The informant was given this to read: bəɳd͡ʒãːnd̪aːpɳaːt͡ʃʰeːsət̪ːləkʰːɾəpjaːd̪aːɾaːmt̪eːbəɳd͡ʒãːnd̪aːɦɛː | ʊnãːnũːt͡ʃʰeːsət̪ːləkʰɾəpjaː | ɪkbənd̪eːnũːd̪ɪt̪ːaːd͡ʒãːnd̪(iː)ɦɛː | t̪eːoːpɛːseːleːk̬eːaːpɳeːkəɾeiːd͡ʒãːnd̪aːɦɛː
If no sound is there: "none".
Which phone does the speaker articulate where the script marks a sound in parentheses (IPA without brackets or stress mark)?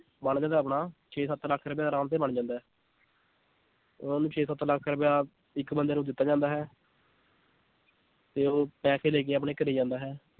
aː